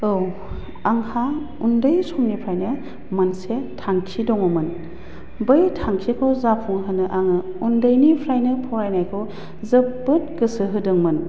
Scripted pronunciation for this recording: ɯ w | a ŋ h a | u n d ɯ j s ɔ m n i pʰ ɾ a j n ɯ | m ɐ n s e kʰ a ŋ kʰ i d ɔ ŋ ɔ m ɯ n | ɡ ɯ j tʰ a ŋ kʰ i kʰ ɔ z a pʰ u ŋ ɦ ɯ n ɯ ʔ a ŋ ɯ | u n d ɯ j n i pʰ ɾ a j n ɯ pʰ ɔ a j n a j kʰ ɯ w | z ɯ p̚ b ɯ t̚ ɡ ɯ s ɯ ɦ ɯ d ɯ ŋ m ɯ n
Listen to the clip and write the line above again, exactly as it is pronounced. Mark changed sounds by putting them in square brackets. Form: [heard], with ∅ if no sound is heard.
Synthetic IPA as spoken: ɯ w | a ŋ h a | u n d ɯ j s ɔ m n i pʰ ɾ a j n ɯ | m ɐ n s e [tʰ] a ŋ kʰ i d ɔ ŋ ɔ m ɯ n | [b] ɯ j tʰ a ŋ kʰ i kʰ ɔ z a pʰ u ŋ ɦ ɯ n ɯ ʔ a ŋ ɯ | u n d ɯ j n i pʰ ɾ a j n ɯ pʰ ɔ a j n a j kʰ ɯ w | z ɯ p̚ b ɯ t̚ ɡ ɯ s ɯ ɦ ɯ d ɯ ŋ m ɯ n